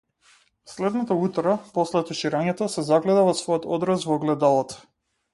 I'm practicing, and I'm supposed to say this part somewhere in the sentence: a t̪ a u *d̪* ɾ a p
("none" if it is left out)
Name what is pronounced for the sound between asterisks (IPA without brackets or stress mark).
t̪